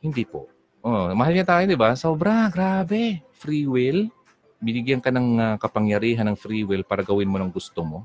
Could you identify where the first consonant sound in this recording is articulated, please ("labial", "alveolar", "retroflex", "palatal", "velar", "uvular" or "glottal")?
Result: glottal